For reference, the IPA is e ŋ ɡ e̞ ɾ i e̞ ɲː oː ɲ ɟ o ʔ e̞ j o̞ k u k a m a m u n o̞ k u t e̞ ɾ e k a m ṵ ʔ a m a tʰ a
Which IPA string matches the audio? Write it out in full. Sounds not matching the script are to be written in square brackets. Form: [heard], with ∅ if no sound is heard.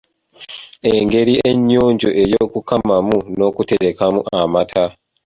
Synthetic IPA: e ŋ ɡ e̞ ɾ i e̞ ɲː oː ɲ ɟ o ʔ e̞ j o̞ k u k a m a m u n o̞ k u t e̞ ɾ e k a m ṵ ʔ a m a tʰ a